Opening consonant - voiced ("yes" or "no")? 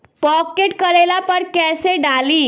no